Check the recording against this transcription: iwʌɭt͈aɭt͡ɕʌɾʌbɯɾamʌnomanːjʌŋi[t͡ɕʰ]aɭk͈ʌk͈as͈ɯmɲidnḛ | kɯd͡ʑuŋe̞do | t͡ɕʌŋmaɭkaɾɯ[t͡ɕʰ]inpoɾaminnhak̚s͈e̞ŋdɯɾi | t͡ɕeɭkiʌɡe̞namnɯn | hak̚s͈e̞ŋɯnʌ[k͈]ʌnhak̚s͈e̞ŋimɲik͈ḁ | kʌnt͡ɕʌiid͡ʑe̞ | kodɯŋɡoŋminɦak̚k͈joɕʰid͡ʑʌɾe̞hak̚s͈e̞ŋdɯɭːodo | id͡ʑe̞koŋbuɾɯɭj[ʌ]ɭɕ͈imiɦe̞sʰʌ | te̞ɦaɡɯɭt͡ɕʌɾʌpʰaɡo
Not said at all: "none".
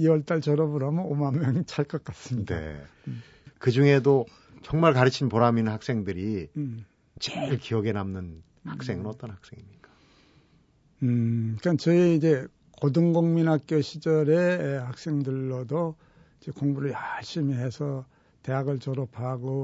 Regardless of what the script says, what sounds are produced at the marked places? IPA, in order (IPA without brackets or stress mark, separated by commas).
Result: t͡ɕʰ, t͡ɕʰ, t͈, a